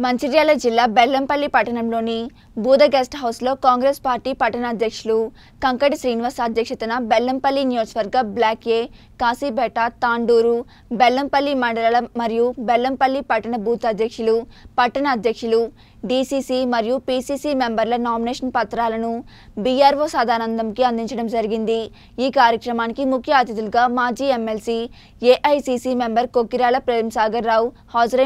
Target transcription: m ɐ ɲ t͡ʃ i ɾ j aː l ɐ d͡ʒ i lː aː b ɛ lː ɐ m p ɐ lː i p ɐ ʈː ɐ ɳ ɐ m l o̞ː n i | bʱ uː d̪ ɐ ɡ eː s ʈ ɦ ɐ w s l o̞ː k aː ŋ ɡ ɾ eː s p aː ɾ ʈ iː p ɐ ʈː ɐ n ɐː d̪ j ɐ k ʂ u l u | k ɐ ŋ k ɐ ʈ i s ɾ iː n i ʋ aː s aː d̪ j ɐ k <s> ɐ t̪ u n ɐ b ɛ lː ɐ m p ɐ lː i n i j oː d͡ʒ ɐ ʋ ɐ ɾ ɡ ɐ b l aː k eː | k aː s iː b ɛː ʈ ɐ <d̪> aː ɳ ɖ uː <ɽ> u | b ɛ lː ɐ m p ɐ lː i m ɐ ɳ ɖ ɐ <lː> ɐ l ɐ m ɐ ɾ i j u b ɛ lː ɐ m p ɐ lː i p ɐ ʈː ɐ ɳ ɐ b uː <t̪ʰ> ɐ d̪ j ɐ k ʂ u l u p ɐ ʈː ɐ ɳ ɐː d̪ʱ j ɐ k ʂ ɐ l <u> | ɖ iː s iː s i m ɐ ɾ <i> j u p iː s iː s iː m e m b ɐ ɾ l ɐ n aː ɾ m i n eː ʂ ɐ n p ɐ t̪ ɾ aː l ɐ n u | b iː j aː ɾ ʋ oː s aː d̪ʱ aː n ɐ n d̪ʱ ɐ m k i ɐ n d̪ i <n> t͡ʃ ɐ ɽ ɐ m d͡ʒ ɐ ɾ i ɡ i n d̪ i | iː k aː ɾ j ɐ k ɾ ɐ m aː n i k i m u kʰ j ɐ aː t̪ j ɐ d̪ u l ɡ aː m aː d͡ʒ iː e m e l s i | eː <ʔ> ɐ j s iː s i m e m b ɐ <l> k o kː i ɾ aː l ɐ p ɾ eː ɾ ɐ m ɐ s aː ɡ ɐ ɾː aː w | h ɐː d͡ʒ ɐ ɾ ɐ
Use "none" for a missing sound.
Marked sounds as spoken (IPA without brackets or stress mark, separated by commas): ʂ, t̪, ɾ, l, t̪, u, i, ɲ, ʔ, ɾ